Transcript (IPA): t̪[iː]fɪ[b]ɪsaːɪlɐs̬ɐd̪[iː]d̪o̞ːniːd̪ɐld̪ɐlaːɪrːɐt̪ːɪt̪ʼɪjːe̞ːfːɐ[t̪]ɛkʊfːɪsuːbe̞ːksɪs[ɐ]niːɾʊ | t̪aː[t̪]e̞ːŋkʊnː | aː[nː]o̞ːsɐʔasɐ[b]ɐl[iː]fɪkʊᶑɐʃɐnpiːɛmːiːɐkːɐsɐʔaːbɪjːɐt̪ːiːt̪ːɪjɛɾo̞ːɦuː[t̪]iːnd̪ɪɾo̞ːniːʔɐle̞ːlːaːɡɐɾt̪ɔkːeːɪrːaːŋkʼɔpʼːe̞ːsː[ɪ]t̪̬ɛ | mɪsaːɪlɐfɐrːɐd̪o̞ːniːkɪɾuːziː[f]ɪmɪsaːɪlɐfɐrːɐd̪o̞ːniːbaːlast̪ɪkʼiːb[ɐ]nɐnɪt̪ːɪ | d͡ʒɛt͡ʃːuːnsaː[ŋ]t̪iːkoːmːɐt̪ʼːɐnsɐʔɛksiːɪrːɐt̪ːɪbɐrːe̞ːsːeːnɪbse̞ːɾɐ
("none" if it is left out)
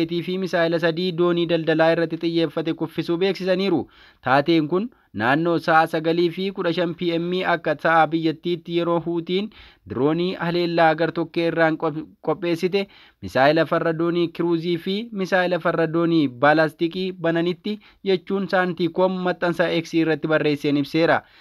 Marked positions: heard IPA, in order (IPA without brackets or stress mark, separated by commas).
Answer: iː, m, iː, t̪, ɐ, t̪, nː, ɡ, iː, t̪, ɪ, f, ɐ, n